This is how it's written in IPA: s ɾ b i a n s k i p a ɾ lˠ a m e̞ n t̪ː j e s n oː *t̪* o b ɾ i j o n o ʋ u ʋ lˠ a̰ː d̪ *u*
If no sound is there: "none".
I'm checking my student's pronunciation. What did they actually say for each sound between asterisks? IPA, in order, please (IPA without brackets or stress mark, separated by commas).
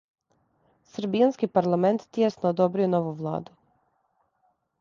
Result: d̪, u